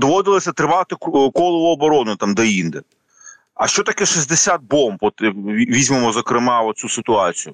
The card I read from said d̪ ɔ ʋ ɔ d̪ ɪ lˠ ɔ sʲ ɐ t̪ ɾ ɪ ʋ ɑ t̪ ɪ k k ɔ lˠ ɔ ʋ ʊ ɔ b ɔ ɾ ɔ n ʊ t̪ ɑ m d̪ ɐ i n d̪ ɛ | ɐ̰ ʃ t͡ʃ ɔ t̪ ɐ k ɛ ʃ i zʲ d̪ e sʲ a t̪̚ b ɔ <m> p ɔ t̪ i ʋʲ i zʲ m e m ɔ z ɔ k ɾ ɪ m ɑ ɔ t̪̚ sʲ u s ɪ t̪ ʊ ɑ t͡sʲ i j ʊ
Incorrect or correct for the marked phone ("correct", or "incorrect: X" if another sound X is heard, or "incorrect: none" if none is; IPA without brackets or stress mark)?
correct